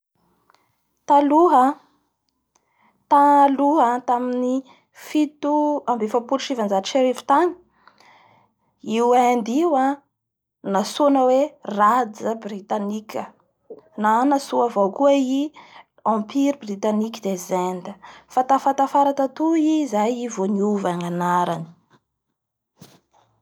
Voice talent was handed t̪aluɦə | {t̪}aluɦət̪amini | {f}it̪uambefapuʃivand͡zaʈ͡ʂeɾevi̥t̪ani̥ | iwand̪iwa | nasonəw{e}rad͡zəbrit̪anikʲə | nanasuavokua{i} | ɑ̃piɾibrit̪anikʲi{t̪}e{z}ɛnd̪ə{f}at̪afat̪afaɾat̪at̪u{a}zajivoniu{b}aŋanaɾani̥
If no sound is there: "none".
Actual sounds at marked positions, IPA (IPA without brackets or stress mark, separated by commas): t̪, f, e, i, d̪, z, f, i, v